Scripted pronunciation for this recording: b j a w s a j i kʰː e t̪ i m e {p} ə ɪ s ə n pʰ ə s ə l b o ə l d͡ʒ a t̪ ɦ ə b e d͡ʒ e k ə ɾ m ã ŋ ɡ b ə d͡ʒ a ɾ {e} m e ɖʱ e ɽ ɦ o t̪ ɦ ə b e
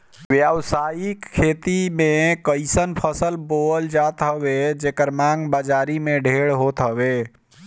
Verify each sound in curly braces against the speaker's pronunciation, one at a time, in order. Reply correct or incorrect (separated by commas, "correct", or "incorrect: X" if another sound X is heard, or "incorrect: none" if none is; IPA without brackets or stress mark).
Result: incorrect: k, incorrect: i